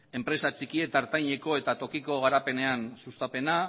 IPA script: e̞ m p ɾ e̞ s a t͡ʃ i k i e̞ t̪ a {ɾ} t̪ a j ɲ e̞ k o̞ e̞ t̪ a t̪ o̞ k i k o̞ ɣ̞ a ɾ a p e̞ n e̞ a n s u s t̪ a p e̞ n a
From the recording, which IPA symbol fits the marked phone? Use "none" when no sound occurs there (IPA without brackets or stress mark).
ɾ